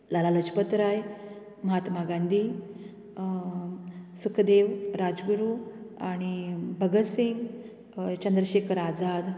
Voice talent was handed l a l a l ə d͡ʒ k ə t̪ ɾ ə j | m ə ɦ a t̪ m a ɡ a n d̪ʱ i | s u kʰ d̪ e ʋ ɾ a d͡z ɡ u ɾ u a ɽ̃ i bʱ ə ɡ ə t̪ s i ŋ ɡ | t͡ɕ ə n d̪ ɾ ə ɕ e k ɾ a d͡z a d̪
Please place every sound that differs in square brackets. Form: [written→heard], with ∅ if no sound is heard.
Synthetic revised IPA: l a l a l ə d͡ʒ [k→p] ə t̪ ɾ [ə→a] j | m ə ɦ a t̪ m a ɡ a n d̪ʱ i | s u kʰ d̪ e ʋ ɾ a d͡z ɡ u ɾ u a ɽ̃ i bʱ ə ɡ ə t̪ s i ŋ ɡ | t͡ɕ ə n d̪ ɾ ə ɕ e k ɾ a d͡z a d̪